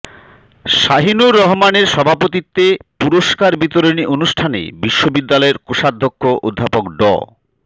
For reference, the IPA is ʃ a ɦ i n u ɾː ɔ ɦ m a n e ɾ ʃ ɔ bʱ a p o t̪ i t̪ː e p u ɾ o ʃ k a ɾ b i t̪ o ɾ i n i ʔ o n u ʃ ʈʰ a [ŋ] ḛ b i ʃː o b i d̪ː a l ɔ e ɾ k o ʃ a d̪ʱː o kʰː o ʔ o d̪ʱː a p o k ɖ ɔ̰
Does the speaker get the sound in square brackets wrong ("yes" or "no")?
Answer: yes